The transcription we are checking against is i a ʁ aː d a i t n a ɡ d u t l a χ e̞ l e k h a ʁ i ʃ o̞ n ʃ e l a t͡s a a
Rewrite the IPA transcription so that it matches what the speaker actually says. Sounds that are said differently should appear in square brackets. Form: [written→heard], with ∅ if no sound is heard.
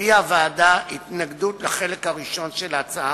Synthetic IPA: i a [ʁ→v] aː d a i t n a ɡ d u t l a χ e̞ l e k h a ʁ i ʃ o̞ n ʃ e l a t͡s a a